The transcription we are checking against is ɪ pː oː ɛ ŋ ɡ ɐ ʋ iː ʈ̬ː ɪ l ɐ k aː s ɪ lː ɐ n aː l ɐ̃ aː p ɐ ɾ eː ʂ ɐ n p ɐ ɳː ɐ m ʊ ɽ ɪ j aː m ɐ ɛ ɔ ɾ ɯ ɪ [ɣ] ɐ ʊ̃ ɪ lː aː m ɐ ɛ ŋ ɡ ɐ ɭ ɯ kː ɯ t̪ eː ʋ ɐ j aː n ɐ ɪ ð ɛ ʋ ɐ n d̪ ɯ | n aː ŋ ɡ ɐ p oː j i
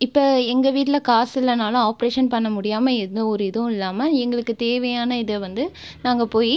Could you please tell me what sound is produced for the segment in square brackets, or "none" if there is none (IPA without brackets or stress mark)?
ð